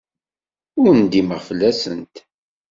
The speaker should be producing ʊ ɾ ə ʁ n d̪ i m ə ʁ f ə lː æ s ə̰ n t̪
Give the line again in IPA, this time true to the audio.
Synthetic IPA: ʊ ɾ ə n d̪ i m ə ʁ f ə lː æ s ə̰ n t̪